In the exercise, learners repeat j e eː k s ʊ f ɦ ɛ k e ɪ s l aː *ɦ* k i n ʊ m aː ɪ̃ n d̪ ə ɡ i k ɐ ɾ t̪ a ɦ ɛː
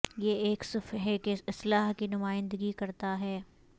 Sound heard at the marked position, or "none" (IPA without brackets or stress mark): ɦ